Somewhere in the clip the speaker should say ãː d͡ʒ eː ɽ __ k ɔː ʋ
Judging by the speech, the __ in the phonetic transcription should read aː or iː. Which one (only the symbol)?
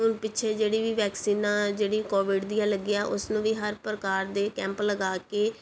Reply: iː